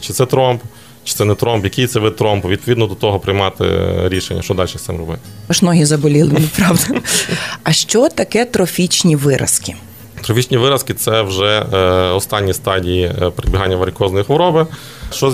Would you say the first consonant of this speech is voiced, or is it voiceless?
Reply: voiceless